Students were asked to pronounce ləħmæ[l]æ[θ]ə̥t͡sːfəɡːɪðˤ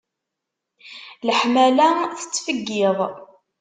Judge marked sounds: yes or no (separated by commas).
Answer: yes, yes